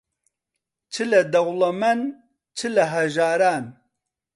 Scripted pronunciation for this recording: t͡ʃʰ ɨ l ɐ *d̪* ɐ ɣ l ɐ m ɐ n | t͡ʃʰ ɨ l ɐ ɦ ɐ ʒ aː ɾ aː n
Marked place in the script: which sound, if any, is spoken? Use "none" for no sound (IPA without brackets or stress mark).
d̪